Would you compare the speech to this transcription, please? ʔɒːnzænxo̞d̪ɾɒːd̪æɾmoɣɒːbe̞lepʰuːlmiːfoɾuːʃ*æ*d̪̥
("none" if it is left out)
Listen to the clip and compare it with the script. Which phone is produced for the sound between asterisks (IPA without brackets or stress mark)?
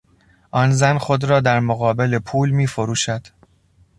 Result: æ